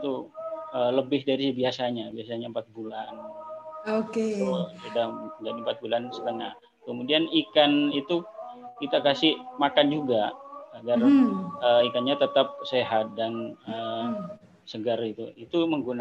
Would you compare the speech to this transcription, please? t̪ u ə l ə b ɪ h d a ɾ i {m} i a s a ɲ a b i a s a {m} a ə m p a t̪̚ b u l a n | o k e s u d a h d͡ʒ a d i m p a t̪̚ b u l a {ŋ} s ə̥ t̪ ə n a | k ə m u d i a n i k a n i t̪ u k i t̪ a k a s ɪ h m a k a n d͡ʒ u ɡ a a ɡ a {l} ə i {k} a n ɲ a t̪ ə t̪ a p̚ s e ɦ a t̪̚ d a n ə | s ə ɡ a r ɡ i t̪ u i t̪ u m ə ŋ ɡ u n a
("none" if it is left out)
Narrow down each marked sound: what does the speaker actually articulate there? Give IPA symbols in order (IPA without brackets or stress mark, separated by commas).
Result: b, ɲ, n, r, k